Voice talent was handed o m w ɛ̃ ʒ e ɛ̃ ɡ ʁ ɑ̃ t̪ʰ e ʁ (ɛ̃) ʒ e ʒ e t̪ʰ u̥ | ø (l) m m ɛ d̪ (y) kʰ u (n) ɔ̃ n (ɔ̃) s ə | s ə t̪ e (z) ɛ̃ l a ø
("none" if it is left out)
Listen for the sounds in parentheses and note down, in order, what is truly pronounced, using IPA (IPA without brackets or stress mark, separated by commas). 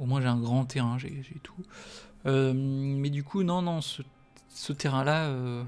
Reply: ɛ̃, none, y, n, ɔ̃, ʁ